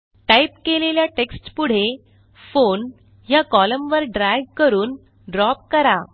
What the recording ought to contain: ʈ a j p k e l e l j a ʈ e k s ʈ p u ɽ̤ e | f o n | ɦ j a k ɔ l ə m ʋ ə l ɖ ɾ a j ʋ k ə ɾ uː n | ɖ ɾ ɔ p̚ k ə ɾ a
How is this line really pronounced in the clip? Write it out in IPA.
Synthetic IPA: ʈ a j p k e l e l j a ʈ e k s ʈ p u ɽ̤ e | f o n | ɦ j a k ɔ l ə m ʋ ə ɾ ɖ ɾ a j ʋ k ə ɾ uː n | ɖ ɾ ɔ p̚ k ə ɾ a